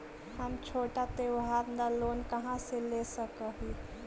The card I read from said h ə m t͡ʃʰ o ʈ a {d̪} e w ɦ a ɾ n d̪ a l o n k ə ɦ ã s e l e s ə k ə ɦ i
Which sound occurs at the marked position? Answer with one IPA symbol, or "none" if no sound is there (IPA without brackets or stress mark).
t̪